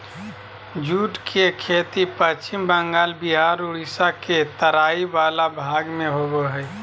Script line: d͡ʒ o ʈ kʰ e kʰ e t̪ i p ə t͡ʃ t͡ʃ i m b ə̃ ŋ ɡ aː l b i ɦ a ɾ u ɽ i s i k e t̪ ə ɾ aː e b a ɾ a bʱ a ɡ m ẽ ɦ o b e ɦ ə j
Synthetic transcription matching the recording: d͡ʒ u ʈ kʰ e kʰ e t̪ i p ə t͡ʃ t͡ʃ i m b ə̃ ŋ ɡ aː l b i ɦ a ɾ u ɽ i s a k e t̪ ə ɾ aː i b a l a bʱ a ɡ m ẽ ɦ o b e ɦ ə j